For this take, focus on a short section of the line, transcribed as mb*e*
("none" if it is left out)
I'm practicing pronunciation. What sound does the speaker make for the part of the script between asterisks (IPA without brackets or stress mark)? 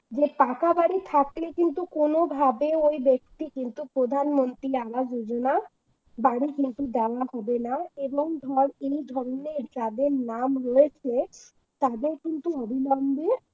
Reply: e